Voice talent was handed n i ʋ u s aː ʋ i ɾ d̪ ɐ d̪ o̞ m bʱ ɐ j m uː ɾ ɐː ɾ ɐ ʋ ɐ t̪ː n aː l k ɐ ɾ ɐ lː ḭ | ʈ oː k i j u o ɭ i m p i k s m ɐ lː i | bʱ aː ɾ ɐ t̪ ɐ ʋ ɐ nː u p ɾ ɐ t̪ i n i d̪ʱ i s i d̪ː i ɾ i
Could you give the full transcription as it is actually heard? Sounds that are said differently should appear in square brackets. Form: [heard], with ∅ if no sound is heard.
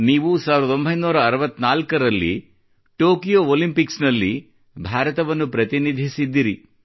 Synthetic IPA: n [iː] ʋ u s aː ʋ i ɾ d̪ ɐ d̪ o̞ m bʱ ɐ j [n] uː ɾ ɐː ɾ ɐ ʋ ɐ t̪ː n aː l k ɐ ɾ ɐ lː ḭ | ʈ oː k i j [o] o [l] i m p i k s [n] ɐ lː i | bʱ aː ɾ ɐ t̪ ɐ ʋ ɐ nː u p ɾ ɐ t̪ i n i d̪ʱ i s i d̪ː i ɾ i